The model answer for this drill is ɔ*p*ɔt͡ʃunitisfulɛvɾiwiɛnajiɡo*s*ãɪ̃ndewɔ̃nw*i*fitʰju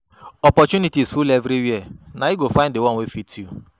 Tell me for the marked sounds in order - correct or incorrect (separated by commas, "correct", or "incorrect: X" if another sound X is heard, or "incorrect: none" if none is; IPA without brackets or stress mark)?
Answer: correct, incorrect: f, incorrect: e